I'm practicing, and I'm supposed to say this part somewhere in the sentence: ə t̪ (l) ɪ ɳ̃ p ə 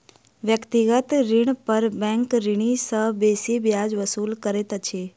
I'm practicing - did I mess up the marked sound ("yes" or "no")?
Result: yes